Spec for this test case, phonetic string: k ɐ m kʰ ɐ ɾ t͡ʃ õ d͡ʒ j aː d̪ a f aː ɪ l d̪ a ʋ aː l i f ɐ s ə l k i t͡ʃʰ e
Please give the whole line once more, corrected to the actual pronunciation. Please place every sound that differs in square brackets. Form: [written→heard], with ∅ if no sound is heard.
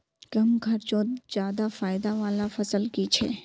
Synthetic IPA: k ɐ m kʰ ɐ ɾ t͡ʃ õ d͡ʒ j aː d̪ a f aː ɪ [l→∅] d̪ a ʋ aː l [i→a] f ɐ s ə l k i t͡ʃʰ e